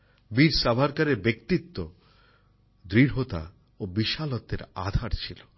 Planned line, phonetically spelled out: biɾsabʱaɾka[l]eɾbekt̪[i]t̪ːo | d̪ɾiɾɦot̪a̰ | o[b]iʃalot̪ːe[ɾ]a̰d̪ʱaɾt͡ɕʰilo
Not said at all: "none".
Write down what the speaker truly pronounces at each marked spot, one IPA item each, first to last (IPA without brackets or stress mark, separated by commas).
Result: ɾ, i, b, ɾ